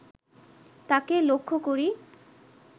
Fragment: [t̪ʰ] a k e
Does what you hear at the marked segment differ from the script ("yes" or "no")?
yes